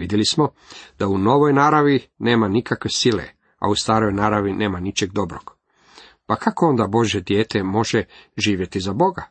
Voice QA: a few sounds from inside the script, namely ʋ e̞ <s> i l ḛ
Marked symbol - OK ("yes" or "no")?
yes